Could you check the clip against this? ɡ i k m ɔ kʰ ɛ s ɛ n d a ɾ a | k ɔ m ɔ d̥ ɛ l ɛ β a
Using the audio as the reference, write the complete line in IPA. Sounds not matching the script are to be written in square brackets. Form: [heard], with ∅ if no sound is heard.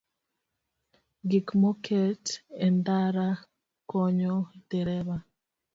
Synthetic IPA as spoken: ɡ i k m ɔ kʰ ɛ [t] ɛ n d a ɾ a | k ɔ [ɲ] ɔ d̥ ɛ [ɾ] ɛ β a